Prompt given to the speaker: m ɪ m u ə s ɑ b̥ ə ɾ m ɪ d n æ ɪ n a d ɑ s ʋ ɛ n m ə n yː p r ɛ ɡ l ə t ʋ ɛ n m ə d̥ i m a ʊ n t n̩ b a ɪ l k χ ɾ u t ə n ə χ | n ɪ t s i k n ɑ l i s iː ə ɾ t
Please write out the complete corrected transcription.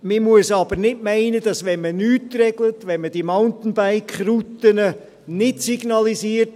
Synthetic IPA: m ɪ m u ə s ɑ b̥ ə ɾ n ɪ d m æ ɪ n ə d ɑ s ʋ ɛ n m ə n yː t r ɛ ɡ l ə t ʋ ɛ n m ə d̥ i m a ʊ n t n̩ b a ɪ k χ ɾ u t ə n ə | n ɪ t s i ɡ n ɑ l i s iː ə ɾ t